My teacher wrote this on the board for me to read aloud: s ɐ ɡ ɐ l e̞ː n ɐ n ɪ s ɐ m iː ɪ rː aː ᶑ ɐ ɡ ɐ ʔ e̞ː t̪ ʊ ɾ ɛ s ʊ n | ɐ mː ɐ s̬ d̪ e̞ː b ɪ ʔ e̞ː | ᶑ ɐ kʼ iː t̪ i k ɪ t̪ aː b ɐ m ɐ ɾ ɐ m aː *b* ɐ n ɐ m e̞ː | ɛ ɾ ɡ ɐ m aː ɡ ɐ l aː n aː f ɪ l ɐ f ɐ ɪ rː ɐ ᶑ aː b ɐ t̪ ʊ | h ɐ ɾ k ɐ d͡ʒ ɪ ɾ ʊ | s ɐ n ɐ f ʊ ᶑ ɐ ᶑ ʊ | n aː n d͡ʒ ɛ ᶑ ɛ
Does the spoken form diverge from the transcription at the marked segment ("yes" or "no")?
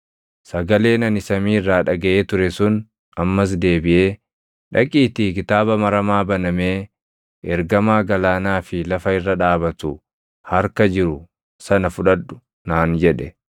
no